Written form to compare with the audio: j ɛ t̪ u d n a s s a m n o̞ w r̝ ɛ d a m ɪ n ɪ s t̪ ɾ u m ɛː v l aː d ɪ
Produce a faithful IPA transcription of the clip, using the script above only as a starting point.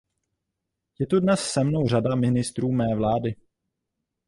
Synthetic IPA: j ɛ t̪ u d n ɛ s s ɛ m n o̞ w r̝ a d a m ɪ n ɪ s t̪ ɾ uː m ɛː v l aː d ɪ